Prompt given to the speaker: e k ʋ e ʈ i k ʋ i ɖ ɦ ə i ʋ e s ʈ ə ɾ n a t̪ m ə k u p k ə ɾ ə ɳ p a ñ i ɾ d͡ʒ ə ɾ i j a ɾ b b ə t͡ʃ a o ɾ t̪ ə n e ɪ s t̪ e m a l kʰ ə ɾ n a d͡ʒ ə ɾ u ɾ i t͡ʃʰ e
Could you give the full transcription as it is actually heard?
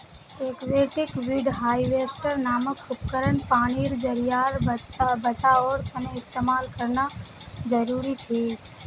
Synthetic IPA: e k ʋ e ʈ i k ʋ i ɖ ɦ a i ʋ e s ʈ ə ɾ n a m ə k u p k ə ɾ ə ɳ p a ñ i ɾ d͡ʒ ə ɾ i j a ɾ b b ə t͡ʃ a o ɾ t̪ ə n e ɪ s t̪ e m a l k ə ɾ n a d͡ʒ ə ɾ u ɾ i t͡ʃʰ e